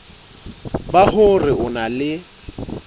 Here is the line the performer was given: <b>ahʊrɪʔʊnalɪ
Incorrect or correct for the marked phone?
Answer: correct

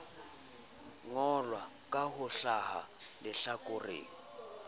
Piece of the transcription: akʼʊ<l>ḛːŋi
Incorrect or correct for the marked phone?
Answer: incorrect: r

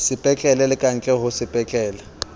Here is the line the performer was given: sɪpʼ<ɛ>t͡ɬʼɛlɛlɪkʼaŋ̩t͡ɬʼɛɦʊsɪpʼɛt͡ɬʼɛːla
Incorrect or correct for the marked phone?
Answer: correct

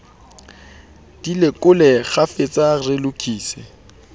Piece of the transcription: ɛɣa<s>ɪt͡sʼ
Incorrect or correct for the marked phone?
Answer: incorrect: f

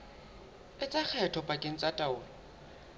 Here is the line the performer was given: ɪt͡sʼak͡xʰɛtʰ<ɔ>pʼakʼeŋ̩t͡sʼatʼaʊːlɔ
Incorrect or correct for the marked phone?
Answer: correct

